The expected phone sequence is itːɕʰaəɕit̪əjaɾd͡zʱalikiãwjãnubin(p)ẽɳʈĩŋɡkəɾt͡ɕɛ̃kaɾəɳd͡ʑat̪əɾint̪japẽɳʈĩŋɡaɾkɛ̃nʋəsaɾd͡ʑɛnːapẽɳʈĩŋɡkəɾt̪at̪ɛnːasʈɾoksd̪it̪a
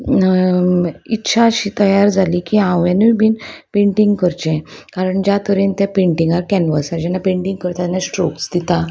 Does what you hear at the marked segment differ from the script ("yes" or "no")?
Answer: no